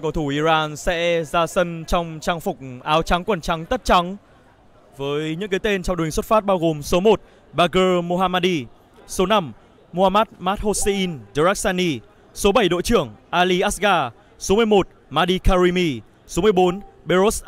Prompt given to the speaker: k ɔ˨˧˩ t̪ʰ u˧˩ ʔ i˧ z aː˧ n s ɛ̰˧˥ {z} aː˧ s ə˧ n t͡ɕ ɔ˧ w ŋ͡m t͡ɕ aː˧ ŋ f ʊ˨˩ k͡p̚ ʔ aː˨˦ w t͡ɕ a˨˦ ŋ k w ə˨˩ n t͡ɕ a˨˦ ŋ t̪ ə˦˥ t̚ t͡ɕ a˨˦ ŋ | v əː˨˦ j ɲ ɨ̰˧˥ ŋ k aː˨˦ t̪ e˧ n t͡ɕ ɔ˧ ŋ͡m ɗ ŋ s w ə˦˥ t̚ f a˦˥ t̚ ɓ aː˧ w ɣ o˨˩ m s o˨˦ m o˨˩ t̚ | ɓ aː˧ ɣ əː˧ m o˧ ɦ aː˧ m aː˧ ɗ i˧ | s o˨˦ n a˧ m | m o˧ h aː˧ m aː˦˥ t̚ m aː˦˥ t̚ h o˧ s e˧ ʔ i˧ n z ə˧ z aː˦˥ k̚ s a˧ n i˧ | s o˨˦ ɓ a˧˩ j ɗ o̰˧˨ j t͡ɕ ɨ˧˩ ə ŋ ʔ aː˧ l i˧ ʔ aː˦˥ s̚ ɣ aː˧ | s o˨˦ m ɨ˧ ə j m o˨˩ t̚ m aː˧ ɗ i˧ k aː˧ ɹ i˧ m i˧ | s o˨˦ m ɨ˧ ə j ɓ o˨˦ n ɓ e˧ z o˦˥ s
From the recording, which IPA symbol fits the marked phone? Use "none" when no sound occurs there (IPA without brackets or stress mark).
z